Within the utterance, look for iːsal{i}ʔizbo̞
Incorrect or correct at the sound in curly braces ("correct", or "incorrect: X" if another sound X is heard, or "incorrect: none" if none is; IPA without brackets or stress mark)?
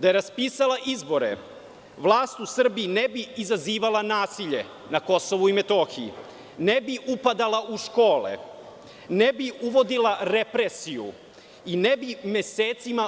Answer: incorrect: a